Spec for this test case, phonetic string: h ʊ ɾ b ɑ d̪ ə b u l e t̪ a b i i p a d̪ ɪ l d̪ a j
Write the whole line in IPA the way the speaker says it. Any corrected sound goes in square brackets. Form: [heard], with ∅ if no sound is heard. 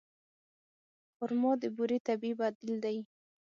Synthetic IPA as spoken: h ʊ ɾ [m] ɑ d̪ ə b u [ɾ] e t̪ a b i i [b] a d̪ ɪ l d̪ a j

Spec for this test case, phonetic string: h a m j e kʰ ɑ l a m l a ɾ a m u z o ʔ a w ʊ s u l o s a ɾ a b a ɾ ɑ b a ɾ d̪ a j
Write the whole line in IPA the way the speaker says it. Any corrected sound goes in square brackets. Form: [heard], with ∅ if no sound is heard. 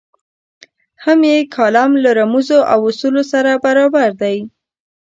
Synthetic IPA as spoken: h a m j e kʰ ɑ l a m l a ɾ a m u z o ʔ a w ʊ s u l o s a ɾ a b a ɾ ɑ b a ɾ d̪ a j

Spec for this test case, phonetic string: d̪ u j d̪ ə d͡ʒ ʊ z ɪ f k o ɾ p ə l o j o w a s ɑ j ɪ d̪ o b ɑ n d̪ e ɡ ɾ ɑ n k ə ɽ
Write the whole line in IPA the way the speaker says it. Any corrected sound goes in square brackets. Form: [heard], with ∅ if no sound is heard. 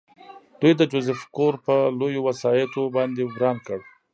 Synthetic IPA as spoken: d̪ u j d̪ ə d͡ʒ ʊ z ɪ f k o ɾ p ə l o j o w a s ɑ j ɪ [t̪] o b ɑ n d̪ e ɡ ɾ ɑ n k ə ɽ

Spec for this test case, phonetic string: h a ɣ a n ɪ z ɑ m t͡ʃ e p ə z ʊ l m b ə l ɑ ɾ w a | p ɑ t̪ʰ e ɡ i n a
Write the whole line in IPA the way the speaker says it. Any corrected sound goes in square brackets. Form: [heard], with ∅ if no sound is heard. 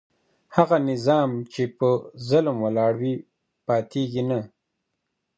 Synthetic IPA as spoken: h a ɣ a n ɪ z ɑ m t͡ʃ e p ə z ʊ l m [w] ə l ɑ [ɽ] w [i] | p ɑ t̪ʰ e ɡ i n a

